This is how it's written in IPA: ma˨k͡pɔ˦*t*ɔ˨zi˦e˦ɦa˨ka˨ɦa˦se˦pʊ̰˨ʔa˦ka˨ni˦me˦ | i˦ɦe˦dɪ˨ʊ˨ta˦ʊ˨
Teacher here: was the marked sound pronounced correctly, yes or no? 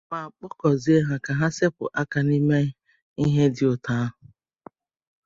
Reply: no